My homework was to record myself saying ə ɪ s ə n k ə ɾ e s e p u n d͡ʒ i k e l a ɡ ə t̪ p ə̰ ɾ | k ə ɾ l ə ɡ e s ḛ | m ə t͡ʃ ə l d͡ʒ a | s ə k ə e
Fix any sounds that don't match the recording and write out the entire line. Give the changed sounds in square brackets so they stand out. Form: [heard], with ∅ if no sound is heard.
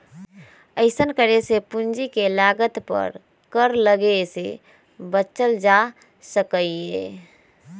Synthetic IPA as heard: ə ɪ s ə n k ə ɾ e s e p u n d͡ʒ i k e l a ɡ ə t̪ p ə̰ ɾ | k ə ɾ l ə ɡ e s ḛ | [b] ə t͡ʃ ə l d͡ʒ a | s ə k ə e